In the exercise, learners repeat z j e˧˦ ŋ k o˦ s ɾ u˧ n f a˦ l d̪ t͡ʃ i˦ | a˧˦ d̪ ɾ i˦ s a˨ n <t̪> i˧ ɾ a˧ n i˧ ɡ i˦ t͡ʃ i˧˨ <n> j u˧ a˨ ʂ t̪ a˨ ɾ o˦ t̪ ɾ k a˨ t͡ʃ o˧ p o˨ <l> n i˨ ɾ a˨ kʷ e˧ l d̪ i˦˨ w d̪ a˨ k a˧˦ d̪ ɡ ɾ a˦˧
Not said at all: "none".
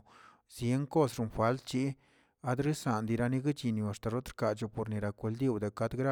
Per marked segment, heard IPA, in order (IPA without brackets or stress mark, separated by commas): d̪, n, ɾ